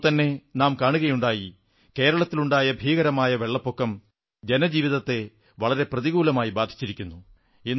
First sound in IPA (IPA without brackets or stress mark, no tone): t̪